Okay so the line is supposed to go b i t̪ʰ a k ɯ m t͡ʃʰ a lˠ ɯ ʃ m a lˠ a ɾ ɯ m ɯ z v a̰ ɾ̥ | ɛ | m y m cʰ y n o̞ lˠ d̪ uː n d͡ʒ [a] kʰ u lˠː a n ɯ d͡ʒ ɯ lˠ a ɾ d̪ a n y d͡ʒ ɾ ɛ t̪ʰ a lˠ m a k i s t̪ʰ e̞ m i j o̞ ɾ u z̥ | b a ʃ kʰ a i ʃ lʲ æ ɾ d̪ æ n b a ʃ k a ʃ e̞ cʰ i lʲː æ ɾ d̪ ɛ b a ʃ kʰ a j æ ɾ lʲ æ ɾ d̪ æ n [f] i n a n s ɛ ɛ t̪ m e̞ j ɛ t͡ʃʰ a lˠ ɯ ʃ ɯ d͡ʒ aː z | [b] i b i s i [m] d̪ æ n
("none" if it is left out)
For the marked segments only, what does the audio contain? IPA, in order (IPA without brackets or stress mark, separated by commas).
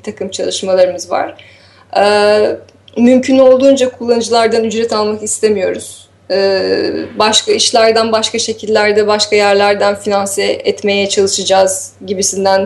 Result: a, f, ɟ, n